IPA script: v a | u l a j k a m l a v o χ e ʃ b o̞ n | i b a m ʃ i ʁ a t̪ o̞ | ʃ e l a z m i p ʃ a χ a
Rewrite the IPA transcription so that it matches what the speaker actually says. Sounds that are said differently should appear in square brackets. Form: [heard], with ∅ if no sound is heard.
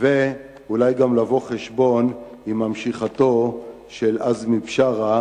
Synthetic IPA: v [e] | u l a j [ɡ] a m l a v o χ e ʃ b o̞ n | i [m] a m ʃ i [χ] a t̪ o̞ | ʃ e l a z m i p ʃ a [ʁ] a